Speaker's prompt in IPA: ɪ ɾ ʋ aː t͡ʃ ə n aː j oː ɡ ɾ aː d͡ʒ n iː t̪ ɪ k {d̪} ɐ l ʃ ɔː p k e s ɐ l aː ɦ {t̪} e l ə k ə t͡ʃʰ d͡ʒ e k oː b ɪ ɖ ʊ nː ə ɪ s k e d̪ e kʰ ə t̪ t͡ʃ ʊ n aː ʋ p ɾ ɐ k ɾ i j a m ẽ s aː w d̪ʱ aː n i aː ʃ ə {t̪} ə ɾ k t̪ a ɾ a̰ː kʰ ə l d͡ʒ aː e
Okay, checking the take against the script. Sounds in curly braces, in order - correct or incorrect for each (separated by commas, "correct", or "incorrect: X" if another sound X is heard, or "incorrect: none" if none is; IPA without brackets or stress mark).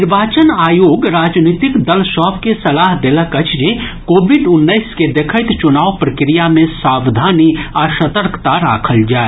correct, incorrect: d̪, correct